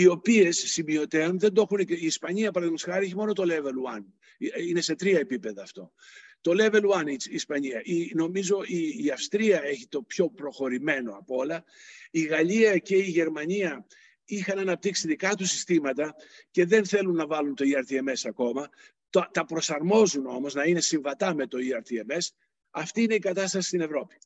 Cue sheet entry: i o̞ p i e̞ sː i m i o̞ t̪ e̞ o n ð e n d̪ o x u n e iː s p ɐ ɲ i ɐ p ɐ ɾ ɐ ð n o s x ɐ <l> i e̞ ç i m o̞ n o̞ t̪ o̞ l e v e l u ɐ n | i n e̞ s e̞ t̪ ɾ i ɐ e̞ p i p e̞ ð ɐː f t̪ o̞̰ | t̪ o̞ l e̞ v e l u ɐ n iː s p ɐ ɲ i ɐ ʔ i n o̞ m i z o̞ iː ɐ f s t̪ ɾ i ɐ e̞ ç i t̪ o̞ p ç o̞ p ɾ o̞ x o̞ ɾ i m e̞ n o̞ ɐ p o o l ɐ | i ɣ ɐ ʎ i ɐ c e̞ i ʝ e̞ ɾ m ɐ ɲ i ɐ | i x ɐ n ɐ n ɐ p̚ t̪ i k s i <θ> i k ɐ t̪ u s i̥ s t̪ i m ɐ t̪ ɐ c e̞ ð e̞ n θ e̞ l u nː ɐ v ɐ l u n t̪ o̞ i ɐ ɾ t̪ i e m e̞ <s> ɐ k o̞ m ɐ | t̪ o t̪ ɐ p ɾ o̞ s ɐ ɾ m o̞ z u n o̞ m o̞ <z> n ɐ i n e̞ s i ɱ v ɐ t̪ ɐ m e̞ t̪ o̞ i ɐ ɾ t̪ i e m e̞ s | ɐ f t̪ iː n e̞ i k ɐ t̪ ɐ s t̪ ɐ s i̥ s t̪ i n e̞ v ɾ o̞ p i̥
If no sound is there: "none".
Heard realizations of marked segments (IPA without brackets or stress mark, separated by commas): ɾ, ð, s, z